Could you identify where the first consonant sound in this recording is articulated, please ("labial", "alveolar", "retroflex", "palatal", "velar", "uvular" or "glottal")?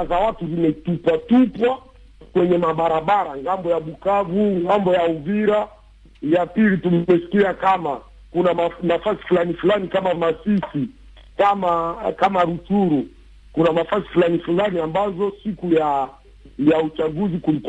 alveolar